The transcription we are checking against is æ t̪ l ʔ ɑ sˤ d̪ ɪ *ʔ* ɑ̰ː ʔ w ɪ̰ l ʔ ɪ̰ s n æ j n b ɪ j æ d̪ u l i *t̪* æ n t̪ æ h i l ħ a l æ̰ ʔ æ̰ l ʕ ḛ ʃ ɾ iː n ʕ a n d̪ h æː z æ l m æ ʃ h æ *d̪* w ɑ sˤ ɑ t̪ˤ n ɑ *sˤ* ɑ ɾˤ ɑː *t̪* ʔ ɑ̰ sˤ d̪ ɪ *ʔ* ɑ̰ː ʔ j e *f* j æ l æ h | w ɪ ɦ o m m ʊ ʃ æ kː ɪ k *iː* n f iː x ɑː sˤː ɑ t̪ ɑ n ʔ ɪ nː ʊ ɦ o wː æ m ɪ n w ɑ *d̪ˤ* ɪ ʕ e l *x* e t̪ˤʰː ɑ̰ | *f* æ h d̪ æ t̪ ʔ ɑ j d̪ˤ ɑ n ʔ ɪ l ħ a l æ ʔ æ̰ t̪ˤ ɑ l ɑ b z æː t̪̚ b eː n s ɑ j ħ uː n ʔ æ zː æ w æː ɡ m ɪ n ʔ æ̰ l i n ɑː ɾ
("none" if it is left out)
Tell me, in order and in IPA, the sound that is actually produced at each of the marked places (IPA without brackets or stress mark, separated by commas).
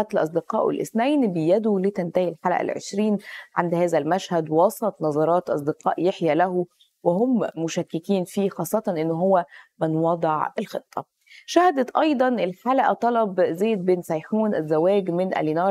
q, t̪, d̪, zˤ, t̪, q, ħ, iː, d̪ˤ, x, ʃ